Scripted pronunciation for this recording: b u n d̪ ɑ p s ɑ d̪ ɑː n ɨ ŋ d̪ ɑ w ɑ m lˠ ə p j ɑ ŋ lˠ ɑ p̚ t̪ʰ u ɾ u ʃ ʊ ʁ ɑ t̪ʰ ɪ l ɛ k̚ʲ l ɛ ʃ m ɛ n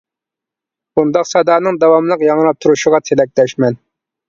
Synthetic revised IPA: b u n d̪ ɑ q s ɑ d̪ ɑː n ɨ ŋ d̪ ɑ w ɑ m lˠ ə q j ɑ ŋ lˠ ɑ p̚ t̪ʰ u ɾ u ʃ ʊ ʁ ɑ t̪ʰ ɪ l ɛ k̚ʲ l ɛ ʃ m ɛ n